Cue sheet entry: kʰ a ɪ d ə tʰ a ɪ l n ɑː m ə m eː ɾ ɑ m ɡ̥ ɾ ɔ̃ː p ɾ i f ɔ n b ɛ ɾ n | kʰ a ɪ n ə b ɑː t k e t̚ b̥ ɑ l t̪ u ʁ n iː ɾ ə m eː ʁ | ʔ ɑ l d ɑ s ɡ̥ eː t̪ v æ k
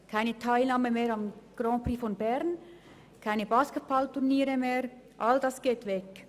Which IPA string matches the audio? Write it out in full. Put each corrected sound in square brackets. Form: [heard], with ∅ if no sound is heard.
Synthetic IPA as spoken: kʰ a ɪ [n] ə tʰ a ɪ l n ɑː m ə m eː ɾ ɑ m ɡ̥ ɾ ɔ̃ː p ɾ i f ɔ n b ɛ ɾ n | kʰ a ɪ n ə b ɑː [s] k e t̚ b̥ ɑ l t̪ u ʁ n iː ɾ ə m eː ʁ | ʔ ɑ l d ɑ s ɡ̥ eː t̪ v [ɛ] k